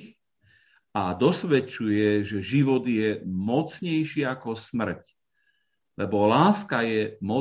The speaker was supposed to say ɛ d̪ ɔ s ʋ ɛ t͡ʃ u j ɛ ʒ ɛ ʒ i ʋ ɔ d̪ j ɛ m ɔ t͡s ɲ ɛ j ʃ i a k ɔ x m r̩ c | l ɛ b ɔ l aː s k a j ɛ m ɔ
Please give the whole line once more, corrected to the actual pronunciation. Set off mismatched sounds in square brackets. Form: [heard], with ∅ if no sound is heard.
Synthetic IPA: [a] d̪ ɔ s ʋ ɛ t͡ʃ u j ɛ ʒ ɛ ʒ i ʋ ɔ d̪ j ɛ m ɔ t͡s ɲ ɛ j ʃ i a k ɔ [s] m r̩ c | l ɛ b ɔ l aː s k a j ɛ m ɔ